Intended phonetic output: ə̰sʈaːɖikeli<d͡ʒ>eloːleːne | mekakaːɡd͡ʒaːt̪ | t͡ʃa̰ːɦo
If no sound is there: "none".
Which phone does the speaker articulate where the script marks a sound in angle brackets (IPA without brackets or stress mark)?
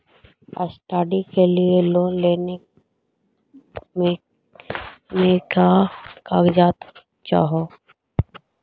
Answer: none